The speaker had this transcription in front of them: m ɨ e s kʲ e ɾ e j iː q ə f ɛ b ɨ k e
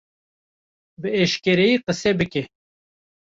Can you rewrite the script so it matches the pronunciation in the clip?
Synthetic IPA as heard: b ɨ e ʃ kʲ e ɾ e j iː q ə s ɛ b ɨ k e